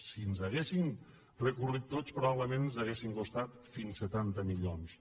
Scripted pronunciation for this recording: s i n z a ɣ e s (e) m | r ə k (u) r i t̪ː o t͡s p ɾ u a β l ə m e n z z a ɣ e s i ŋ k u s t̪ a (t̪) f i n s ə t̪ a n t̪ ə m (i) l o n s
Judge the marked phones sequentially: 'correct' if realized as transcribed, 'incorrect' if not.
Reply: incorrect: i, correct, correct, correct

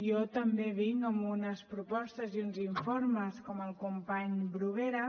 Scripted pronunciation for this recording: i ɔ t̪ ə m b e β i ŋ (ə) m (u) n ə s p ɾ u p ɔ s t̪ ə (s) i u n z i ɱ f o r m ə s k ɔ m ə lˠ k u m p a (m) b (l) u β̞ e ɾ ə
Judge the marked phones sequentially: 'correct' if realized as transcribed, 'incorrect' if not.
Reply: correct, correct, incorrect: z, incorrect: ɲ, incorrect: ɾ

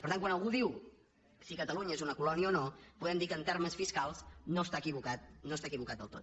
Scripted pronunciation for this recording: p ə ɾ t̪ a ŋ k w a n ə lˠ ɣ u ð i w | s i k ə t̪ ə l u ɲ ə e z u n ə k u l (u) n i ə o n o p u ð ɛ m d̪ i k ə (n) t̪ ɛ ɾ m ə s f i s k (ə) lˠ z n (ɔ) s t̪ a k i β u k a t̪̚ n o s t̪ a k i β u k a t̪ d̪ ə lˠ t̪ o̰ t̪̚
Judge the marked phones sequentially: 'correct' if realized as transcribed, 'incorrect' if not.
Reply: incorrect: ɔ, correct, incorrect: a, incorrect: o

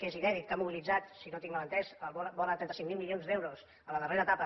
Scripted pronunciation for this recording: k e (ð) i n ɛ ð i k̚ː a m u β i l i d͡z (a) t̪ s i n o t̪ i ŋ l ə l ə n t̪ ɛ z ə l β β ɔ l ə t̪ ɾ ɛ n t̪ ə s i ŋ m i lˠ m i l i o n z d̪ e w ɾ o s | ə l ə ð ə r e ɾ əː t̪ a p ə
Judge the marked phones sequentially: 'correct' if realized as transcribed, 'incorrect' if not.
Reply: incorrect: z, correct

